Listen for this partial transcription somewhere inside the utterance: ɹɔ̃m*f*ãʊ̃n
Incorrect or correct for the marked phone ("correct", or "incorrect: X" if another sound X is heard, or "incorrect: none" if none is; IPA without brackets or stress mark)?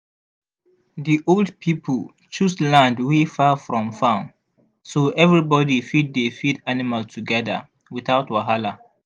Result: correct